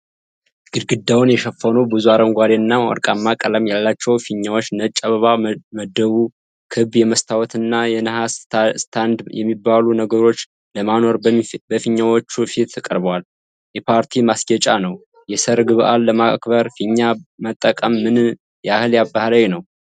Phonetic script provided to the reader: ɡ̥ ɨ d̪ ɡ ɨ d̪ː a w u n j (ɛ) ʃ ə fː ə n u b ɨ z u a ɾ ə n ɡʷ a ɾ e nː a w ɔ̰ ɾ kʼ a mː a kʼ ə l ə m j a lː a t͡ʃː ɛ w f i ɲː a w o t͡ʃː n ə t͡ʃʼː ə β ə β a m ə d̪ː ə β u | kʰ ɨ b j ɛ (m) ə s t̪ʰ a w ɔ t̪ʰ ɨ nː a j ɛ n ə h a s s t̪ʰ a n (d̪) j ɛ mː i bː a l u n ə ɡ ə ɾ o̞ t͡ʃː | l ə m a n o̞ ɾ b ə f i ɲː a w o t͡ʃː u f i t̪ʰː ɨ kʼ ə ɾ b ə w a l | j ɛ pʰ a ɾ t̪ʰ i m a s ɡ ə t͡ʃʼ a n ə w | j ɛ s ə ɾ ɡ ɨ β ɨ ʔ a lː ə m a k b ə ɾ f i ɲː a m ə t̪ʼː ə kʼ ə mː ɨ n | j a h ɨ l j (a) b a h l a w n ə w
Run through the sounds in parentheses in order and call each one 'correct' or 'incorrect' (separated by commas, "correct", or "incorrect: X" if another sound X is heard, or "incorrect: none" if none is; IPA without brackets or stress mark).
correct, correct, correct, correct